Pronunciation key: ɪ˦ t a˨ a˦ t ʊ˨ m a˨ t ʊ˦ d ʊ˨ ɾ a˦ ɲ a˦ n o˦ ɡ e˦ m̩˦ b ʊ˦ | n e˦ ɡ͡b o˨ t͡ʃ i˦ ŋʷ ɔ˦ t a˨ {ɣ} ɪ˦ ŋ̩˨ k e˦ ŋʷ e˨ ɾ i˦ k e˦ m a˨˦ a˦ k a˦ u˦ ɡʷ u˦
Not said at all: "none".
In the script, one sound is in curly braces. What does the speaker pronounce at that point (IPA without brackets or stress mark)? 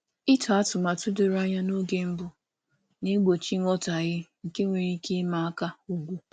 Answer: ɣ